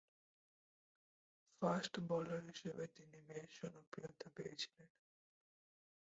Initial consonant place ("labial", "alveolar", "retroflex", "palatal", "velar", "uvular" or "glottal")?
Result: labial